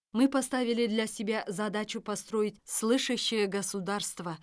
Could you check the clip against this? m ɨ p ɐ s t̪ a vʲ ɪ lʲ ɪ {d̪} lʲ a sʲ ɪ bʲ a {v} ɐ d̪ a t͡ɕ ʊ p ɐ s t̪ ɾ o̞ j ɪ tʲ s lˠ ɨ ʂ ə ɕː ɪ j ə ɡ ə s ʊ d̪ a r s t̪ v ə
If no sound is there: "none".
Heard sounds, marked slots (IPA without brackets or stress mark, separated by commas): d̪, z